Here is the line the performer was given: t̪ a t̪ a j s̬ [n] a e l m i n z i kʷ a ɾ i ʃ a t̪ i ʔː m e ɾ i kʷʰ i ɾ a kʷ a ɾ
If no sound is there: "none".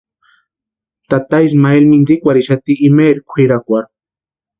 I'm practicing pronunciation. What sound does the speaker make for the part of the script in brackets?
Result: m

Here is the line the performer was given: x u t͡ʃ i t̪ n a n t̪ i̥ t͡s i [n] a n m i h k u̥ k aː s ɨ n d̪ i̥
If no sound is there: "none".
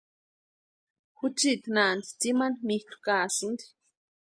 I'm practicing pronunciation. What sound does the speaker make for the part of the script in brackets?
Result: m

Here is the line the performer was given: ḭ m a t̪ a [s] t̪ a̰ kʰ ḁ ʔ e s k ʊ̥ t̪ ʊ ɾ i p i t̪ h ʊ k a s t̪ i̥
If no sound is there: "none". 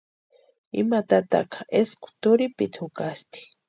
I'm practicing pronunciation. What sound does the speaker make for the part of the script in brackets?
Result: none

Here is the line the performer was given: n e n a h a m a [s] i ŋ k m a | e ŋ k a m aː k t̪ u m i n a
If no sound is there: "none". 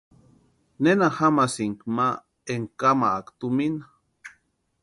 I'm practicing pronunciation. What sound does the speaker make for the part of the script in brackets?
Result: s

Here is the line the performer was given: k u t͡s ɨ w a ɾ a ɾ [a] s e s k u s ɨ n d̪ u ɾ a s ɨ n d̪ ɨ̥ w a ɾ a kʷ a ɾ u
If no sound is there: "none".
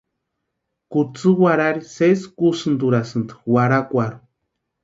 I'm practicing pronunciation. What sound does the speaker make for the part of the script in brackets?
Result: i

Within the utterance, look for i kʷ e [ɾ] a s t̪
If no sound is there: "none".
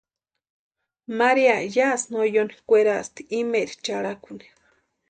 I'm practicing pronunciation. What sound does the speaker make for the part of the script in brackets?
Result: ɾ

